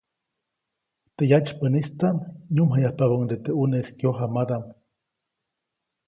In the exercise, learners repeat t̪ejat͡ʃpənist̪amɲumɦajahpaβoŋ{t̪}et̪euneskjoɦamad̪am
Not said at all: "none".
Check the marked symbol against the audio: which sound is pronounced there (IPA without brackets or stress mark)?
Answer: d̪